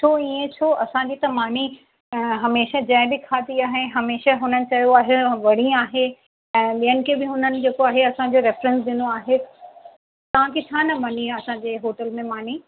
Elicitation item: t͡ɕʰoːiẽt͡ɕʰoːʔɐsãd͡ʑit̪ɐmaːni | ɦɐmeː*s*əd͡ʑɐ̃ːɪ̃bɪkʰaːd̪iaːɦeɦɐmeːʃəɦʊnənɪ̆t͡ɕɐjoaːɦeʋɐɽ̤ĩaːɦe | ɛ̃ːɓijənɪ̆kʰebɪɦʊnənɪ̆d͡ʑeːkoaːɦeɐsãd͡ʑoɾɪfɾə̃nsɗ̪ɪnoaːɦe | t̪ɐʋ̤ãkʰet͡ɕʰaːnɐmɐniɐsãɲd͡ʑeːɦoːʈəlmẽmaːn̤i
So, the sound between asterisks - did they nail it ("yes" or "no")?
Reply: no